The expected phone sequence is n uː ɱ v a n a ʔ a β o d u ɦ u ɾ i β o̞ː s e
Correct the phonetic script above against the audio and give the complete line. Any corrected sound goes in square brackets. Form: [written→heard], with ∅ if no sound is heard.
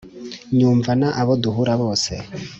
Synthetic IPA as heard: [n→ɲ] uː ɱ v a n a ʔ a β o d u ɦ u ɾ [i→a] β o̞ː s e